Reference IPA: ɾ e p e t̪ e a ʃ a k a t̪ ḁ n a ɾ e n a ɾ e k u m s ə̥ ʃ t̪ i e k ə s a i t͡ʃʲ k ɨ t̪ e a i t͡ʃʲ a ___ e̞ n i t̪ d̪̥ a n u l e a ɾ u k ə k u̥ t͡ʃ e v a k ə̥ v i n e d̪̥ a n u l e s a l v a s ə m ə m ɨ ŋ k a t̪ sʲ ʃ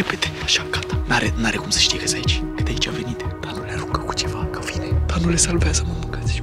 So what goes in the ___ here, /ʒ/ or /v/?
v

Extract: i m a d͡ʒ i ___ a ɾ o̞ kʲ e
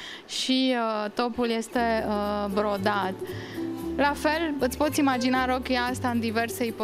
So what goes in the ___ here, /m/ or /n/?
n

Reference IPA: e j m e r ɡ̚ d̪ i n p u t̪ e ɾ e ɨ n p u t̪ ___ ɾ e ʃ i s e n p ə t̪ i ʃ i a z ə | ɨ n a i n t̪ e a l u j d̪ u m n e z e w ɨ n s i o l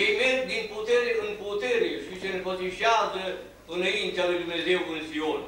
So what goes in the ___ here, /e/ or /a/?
e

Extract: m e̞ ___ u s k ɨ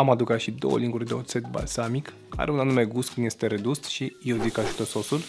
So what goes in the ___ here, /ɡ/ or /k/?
ɡ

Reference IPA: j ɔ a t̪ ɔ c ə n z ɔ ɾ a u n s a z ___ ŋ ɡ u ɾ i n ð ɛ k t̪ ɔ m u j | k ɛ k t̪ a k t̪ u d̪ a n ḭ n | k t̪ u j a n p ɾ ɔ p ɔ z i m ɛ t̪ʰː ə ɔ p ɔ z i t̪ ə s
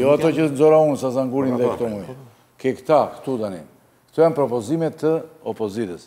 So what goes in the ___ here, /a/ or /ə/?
a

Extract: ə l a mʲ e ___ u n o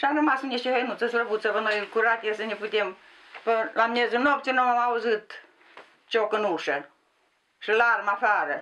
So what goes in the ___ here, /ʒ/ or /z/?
z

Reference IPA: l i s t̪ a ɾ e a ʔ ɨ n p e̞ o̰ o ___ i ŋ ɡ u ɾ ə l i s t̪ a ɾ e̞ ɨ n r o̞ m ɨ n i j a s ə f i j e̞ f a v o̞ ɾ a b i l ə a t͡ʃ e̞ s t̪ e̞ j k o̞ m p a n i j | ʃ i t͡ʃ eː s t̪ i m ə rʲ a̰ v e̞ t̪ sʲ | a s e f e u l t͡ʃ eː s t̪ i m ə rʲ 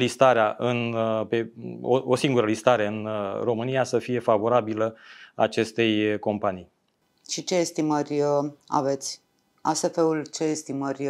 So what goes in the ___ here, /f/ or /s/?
s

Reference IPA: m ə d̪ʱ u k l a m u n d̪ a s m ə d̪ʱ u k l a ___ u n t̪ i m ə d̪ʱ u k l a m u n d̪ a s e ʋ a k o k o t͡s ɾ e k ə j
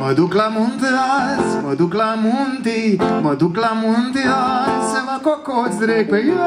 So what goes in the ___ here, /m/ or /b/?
m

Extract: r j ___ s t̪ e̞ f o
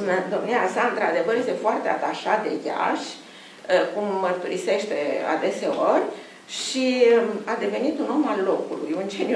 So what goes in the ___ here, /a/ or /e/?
e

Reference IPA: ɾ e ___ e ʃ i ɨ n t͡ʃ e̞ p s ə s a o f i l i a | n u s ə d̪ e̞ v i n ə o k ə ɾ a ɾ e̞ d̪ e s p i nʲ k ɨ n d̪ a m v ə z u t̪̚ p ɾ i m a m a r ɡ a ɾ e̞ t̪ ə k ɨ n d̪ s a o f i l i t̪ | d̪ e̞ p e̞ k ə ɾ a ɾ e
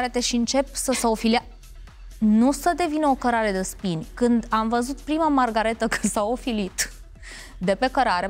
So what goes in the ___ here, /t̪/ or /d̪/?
t̪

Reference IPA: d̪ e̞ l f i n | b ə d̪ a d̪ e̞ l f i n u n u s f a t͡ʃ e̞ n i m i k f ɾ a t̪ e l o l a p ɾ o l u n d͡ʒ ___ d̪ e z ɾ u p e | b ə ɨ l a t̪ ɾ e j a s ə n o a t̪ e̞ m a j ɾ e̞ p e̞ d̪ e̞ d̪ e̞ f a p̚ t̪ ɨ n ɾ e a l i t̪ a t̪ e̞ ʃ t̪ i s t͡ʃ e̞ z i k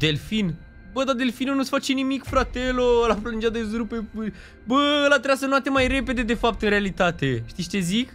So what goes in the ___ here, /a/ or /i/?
a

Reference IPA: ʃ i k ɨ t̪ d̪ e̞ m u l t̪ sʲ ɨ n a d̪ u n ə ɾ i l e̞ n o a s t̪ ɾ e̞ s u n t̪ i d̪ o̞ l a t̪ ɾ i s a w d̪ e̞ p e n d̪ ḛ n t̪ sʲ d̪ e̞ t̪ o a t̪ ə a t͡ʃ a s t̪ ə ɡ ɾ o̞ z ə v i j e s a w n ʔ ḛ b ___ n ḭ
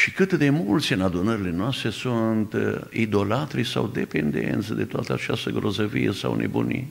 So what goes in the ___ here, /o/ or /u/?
u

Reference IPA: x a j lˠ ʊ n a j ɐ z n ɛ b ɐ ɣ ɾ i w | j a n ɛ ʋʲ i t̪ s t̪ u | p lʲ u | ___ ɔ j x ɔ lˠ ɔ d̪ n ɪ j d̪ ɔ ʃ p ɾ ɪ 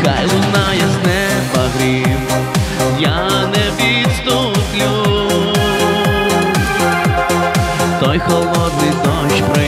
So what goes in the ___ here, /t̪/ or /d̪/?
t̪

